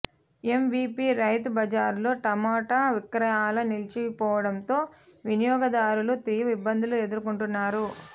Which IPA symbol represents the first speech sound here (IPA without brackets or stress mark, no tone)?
e̞